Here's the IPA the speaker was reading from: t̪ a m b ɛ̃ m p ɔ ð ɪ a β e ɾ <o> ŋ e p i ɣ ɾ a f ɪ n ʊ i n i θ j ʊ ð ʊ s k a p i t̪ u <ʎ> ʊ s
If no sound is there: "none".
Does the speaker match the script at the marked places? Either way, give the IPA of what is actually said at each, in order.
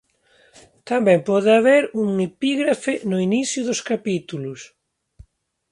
u, l

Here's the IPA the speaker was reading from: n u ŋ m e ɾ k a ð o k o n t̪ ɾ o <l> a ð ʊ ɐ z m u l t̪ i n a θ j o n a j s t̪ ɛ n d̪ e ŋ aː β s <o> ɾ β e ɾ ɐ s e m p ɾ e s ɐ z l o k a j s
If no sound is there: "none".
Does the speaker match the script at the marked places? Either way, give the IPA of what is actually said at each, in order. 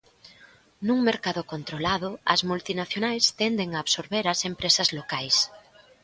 l, o

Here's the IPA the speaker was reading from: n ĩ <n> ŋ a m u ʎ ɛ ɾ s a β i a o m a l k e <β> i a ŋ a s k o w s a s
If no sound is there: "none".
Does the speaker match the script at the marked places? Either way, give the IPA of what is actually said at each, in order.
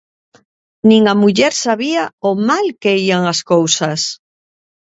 none, none

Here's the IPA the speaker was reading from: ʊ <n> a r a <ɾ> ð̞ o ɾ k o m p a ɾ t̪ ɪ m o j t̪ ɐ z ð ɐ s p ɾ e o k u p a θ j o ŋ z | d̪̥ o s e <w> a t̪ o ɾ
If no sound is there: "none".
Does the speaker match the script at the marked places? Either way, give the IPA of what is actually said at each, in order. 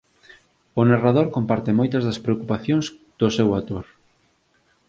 n, none, w

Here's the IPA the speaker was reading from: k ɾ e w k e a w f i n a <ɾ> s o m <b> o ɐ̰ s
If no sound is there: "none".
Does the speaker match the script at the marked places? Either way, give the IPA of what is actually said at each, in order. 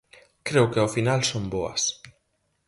l, b

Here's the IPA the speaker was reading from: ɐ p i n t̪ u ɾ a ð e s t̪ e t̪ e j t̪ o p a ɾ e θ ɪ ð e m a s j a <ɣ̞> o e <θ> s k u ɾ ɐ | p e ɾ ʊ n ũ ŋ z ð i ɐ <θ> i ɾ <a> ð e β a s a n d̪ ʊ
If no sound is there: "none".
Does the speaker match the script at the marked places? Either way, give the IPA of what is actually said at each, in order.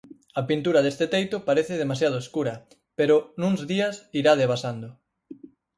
ð̞, none, s, a

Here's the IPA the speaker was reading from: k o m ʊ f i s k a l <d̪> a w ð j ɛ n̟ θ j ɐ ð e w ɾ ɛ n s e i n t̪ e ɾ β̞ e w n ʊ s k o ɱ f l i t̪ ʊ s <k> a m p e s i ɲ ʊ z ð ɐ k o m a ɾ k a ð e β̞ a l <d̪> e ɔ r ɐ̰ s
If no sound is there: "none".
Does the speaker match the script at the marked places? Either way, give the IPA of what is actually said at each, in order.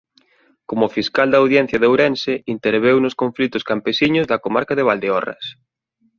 d̪, k, d̪

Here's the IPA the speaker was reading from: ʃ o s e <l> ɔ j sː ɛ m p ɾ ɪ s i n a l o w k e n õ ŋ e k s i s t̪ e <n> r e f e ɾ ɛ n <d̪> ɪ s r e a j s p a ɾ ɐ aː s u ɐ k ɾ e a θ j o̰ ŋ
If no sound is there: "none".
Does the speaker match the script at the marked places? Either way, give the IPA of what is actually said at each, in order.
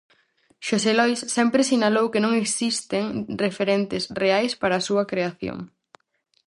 l, ŋ, t̪

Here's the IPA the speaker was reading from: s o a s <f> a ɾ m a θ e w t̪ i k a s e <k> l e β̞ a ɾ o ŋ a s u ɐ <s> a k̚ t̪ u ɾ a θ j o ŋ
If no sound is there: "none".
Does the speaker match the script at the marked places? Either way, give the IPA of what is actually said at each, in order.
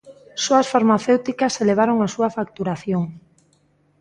f, none, f

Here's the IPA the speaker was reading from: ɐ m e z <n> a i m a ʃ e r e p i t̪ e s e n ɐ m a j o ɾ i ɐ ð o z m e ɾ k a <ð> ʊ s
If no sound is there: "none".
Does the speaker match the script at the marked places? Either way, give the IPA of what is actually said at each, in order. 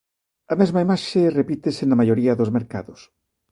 m, ð

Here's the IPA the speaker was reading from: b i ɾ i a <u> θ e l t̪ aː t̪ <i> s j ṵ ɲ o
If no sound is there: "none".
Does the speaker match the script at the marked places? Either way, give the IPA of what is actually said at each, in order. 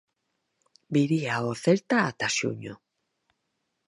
o, a

